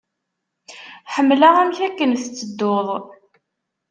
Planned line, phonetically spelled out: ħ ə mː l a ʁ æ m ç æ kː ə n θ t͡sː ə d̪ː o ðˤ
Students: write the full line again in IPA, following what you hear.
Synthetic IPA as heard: ħ ə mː l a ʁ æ m ç æ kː ə n θ t͡sː ə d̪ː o ðˤ